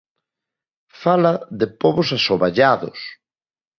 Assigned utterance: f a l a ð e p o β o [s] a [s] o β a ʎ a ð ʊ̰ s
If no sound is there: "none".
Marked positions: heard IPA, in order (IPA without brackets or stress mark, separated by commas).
s, s